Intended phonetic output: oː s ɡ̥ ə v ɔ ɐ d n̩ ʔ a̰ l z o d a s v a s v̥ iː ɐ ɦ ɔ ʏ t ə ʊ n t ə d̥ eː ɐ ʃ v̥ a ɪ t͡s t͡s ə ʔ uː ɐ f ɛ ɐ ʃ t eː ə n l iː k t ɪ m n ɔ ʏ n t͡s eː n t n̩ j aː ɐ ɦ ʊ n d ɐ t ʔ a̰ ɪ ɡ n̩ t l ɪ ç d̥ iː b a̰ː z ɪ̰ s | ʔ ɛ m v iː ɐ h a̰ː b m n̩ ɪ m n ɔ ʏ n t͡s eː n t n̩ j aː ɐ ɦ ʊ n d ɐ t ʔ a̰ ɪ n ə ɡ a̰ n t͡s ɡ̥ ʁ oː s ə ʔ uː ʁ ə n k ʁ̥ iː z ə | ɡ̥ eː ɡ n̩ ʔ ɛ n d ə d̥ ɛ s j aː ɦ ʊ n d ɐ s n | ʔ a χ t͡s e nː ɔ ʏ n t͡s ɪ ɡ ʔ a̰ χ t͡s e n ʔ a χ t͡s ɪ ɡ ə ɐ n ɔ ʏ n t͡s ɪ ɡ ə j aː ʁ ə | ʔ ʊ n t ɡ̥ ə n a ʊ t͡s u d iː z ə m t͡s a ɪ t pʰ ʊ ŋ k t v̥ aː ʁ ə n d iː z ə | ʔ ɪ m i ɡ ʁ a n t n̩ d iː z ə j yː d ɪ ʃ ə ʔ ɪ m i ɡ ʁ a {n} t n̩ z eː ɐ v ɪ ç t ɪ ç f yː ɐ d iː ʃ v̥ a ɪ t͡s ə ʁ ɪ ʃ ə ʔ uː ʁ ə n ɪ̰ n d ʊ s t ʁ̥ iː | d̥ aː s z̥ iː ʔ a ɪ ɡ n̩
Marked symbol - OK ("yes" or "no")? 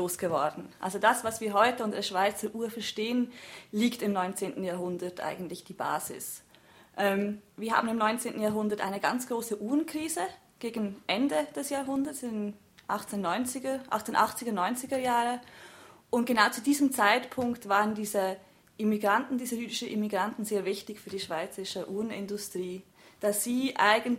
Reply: yes